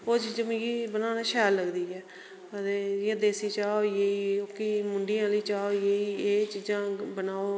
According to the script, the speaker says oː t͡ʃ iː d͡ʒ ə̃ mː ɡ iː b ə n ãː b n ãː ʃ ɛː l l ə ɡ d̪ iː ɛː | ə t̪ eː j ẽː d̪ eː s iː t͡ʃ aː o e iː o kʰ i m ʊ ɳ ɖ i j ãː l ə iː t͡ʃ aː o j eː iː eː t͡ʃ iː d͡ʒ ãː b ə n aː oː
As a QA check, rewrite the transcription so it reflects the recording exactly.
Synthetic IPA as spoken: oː t͡ʃ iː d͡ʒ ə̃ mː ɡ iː b ə n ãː n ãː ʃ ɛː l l ə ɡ d̪ iː ɛː | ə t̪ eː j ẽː d̪ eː s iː t͡ʃ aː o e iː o k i m ʊ ɳ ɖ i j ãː l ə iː t͡ʃ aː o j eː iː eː t͡ʃ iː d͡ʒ ãː b ə n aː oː